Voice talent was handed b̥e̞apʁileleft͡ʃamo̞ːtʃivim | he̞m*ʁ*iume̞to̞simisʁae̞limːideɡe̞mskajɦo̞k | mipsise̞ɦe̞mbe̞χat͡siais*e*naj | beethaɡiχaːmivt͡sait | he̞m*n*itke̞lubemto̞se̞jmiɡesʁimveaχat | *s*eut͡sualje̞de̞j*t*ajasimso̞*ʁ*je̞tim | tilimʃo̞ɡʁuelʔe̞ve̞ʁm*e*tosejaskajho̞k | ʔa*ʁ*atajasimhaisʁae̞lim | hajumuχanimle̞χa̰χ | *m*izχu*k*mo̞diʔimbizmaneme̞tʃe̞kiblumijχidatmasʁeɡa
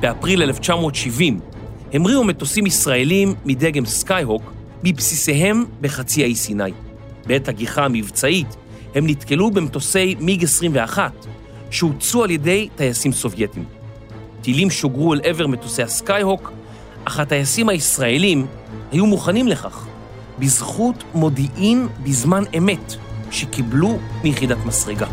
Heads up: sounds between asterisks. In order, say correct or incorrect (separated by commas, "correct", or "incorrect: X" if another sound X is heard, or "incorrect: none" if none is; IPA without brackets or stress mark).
correct, incorrect: i, correct, incorrect: ʃ, correct, incorrect: v, correct, incorrect: χ, incorrect: b, incorrect: t